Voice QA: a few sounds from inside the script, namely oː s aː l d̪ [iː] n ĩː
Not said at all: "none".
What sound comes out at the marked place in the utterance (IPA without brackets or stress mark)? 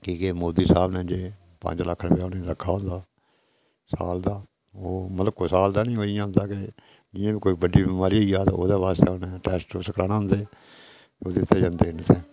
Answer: aː